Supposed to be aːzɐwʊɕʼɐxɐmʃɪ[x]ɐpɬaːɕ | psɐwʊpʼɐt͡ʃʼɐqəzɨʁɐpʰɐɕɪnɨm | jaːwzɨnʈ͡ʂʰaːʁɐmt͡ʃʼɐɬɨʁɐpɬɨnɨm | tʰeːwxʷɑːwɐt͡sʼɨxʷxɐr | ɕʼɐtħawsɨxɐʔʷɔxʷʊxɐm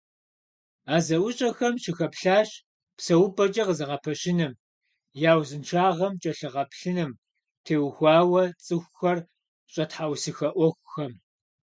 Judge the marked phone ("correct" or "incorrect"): correct